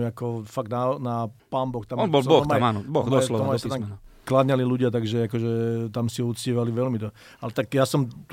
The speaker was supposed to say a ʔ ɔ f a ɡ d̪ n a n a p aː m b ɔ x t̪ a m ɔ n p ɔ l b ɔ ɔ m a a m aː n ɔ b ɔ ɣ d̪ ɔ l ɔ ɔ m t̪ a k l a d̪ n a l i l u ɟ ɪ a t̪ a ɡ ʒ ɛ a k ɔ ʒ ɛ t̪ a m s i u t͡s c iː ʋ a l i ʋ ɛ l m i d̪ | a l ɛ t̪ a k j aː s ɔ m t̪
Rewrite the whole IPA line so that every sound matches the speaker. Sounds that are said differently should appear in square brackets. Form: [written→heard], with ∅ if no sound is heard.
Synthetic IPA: a [ʔ→k] ɔ f a ɡ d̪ n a n a p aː m b ɔ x t̪ a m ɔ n [p→b] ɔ l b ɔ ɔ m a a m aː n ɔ b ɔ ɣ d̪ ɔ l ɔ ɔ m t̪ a k l a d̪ [n→ɲ] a l i l u ɟ ɪ a t̪ a ɡ ʒ ɛ a k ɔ ʒ ɛ t̪ a m s i u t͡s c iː ʋ a l i ʋ ɛ l m i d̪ | a l ɛ t̪ a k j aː s ɔ m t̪